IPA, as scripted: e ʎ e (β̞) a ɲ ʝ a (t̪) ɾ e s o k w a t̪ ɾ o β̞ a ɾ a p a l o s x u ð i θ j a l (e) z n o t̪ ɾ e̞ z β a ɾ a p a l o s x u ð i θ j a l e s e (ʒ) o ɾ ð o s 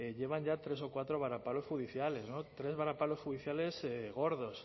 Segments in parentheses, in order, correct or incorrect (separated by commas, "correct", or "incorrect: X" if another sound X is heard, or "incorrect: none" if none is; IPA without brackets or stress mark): correct, correct, correct, incorrect: ɣ